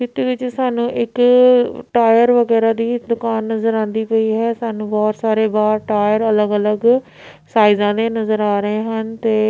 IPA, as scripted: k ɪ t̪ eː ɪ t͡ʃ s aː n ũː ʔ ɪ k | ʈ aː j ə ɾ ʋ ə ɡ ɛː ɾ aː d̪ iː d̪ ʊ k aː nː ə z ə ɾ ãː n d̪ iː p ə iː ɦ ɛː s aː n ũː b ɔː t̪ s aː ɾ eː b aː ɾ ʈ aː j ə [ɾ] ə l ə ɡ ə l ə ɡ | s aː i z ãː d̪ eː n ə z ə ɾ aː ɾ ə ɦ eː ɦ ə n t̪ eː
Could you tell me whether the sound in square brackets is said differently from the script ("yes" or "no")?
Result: no